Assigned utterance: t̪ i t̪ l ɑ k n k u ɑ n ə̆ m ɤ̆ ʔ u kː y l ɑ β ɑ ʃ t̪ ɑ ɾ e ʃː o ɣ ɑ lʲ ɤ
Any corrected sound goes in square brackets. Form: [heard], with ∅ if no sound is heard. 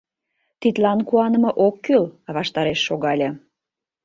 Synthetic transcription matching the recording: t̪ i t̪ l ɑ [∅] n k u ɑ n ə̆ m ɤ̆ ʔ [o] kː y l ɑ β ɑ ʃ t̪ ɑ ɾ e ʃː o ɣ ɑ lʲ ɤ